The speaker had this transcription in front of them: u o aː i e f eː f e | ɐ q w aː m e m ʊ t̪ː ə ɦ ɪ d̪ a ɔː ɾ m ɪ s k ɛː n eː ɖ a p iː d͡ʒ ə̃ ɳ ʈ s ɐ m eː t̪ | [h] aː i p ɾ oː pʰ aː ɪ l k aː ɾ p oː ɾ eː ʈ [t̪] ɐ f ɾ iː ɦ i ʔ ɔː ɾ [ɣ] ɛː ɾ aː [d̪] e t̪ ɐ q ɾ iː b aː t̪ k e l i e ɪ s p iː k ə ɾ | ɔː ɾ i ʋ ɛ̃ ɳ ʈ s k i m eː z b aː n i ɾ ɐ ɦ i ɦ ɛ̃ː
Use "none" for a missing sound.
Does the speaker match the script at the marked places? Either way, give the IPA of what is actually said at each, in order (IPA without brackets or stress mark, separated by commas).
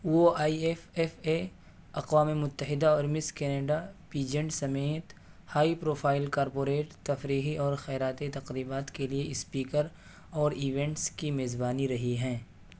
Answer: h, t̪, x, t̪